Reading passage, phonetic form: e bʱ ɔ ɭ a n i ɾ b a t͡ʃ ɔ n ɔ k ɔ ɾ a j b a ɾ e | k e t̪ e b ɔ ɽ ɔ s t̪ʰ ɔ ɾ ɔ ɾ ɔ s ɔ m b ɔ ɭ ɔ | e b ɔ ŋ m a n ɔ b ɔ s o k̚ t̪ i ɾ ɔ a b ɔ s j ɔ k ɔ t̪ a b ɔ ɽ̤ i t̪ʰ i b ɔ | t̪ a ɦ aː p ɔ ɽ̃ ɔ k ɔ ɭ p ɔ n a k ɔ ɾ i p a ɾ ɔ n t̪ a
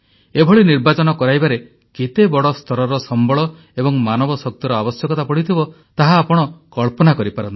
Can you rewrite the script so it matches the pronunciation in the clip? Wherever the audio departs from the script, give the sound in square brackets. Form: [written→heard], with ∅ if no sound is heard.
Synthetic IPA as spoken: e bʱ ɔ ɭ [a→i] n i ɾ b a t͡ʃ ɔ n ɔ k ɔ ɾ a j b a ɾ e | k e t̪ e b ɔ ɽ ɔ s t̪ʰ ɔ ɾ ɔ ɾ ɔ s ɔ m b ɔ ɭ ɔ | e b ɔ ŋ m a n ɔ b ɔ s [o→ɔ] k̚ t̪ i ɾ ɔ a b ɔ s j ɔ k ɔ t̪ a [b→p] ɔ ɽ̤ i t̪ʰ i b ɔ | t̪ a ɦ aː p ɔ ɽ̃ ɔ k ɔ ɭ p ɔ n a k ɔ ɾ i p a ɾ ɔ n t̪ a